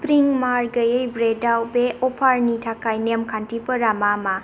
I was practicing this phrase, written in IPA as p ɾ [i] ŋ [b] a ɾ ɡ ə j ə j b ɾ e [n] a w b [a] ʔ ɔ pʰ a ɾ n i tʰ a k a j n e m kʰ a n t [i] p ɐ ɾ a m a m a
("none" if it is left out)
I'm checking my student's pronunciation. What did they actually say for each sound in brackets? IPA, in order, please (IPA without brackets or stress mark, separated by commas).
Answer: i, m, d, e, i